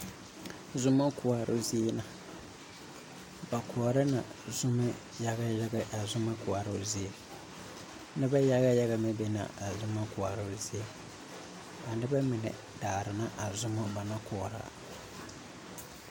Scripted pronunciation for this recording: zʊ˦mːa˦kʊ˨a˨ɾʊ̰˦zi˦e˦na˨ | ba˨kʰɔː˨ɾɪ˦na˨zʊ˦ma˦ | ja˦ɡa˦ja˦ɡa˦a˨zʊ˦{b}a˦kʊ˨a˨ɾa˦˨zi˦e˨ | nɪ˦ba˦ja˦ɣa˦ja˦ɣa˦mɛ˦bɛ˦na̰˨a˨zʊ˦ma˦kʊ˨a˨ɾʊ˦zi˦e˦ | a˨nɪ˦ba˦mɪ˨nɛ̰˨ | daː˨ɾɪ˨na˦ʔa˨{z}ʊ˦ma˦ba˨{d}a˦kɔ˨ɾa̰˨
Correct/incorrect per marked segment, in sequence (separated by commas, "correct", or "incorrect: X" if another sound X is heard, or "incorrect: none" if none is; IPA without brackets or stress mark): incorrect: m, correct, incorrect: n